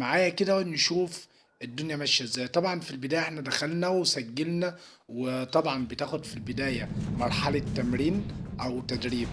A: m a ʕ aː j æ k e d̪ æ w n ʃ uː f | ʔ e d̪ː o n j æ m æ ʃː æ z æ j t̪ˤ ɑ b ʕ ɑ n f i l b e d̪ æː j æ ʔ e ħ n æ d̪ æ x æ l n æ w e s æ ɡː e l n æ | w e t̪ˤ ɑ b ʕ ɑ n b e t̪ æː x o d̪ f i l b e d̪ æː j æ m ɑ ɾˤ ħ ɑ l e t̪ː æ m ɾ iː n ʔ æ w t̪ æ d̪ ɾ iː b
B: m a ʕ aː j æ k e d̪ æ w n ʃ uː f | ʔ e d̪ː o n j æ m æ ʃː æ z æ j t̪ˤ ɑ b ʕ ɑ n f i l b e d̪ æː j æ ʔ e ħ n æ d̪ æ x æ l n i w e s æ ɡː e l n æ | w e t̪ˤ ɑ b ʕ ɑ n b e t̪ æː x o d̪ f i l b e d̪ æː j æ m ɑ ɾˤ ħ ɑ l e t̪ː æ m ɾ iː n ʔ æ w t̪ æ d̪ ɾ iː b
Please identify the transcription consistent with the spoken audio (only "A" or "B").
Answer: A